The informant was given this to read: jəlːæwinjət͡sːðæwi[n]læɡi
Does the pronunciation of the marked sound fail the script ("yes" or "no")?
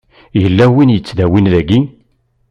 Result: no